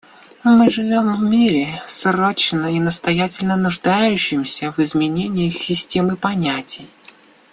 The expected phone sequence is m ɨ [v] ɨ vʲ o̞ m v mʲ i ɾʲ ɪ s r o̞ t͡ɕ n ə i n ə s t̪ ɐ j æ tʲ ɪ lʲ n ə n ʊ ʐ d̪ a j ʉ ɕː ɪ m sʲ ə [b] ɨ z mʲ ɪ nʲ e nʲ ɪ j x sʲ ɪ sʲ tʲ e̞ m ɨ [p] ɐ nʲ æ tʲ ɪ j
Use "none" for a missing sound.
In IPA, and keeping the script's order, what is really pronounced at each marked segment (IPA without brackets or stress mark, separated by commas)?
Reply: ʐ, v, p